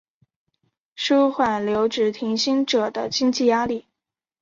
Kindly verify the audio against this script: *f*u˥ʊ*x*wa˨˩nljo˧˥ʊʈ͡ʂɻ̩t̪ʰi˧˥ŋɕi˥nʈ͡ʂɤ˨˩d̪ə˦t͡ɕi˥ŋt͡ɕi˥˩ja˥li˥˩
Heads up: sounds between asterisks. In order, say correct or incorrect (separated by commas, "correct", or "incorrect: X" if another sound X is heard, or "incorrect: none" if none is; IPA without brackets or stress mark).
incorrect: ʂ, correct